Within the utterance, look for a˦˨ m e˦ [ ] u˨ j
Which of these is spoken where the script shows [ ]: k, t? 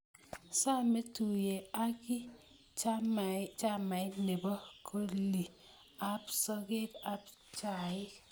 t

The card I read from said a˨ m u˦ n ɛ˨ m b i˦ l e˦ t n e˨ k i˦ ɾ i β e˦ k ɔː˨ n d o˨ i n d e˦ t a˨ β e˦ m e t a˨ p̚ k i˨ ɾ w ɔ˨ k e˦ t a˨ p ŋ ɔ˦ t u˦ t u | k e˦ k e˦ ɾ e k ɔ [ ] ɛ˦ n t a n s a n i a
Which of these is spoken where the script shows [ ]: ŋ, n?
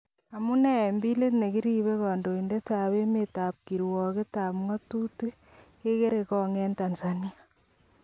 ŋ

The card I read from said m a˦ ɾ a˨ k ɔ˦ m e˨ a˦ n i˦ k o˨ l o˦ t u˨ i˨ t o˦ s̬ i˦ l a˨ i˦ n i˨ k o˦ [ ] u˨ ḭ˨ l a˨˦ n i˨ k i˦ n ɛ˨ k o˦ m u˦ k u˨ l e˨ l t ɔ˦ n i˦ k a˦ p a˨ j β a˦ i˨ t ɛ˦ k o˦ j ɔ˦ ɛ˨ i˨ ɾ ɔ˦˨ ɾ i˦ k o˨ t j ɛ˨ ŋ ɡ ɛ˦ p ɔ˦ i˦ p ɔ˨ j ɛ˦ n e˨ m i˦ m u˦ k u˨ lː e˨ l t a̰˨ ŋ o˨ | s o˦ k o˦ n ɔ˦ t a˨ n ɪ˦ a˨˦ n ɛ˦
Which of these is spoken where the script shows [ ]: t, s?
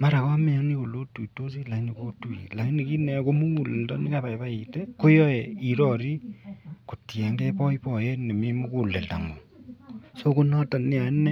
t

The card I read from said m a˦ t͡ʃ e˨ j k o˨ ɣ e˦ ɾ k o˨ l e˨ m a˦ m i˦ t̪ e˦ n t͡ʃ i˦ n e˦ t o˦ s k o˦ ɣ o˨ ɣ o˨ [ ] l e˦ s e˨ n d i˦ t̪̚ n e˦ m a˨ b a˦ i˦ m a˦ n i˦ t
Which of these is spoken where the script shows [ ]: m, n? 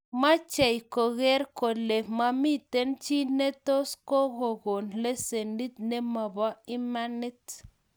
n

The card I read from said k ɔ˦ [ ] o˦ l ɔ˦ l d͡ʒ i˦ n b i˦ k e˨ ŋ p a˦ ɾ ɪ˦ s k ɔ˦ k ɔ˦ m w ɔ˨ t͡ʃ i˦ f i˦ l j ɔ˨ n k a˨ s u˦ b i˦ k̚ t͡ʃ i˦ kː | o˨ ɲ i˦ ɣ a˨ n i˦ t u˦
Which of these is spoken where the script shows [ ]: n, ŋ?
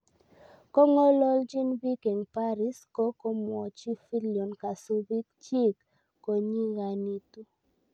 ŋ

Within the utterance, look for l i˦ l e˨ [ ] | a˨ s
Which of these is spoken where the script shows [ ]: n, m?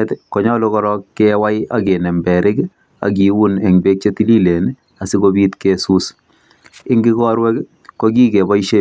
n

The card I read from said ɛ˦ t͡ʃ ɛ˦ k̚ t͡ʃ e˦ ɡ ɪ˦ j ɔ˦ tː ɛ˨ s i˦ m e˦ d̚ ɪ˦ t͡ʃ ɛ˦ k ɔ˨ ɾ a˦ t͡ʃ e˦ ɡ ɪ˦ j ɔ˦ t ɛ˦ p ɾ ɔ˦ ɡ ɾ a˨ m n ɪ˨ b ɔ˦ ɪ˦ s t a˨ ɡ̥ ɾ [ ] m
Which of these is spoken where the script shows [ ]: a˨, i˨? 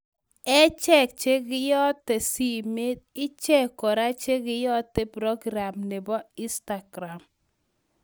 a˨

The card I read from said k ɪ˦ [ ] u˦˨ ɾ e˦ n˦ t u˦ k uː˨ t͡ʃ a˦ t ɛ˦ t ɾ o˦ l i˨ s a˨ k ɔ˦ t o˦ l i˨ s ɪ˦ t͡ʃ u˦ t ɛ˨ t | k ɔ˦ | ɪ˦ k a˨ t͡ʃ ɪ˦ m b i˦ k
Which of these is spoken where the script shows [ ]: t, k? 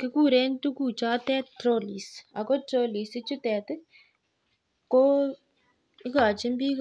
k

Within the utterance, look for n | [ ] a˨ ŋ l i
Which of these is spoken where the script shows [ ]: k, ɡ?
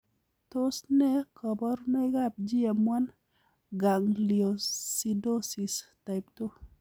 ɡ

